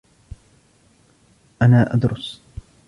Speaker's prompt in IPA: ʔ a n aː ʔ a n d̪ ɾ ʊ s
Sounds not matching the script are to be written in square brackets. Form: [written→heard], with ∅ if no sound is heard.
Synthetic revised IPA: ʔ a n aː ʔ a [n→∅] d̪ ɾ ʊ s